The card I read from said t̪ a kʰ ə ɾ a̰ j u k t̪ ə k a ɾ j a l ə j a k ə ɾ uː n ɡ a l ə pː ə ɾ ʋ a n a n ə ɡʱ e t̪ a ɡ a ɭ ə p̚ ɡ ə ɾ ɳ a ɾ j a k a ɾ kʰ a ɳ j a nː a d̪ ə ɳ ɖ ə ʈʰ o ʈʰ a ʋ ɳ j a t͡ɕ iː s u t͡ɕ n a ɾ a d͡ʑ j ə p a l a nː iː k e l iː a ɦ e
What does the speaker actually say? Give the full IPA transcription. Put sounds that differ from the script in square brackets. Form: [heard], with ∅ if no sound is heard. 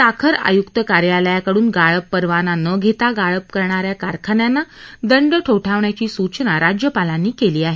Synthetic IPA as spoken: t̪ a kʰ ə ɾ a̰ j u k t̪ ə k a ɾ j a l ə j a k ə [ɽ] uː n ɡ a [ɭ] ə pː ə ɾ ʋ a n a n ə ɡʱ e t̪ a ɡ a ɭ ə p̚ [k] ə ɾ ɳ a ɾ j a k a ɾ kʰ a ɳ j a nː a d̪ ə ɳ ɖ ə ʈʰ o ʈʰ a ʋ ɳ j a t͡ɕ iː s u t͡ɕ n a ɾ a d͡ʑ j ə p a l a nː iː k e l iː a ɦ e